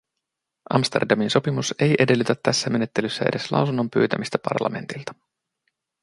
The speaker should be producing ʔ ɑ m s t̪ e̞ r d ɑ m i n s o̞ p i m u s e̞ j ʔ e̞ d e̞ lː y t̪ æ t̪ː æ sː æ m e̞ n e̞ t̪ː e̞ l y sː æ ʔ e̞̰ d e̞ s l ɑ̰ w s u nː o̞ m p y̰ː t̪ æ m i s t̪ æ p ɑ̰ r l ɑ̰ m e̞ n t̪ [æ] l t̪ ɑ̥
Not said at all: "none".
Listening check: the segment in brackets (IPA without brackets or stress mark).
i